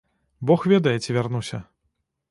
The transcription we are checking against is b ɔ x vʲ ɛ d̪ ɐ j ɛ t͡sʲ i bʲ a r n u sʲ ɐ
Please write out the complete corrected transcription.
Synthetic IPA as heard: b ɔ x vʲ ɛ d̪ ɐ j ɛ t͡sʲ i vʲ a r n u sʲ ɐ